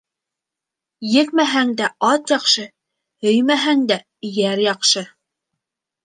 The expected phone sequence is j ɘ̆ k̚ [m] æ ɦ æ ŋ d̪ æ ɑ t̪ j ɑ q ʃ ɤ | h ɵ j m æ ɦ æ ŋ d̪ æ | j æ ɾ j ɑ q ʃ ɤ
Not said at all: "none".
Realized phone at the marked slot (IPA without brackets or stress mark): m